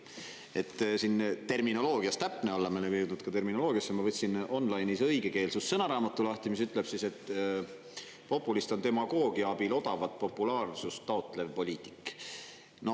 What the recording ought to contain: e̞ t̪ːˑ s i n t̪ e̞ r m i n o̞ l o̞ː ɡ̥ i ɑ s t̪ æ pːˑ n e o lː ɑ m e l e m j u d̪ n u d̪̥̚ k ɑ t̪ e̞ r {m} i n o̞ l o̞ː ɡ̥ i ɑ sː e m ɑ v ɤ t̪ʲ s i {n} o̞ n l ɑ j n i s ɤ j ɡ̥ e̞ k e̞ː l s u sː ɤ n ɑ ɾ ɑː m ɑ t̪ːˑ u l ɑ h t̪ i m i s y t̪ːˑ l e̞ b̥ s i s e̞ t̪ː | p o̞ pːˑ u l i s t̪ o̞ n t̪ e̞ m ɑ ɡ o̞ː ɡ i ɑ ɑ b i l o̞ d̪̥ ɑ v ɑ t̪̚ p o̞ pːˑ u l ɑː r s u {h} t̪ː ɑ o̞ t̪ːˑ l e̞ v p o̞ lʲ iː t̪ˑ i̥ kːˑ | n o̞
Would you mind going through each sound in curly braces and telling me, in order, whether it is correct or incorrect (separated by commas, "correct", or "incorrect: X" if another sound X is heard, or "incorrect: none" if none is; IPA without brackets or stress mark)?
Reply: correct, correct, incorrect: s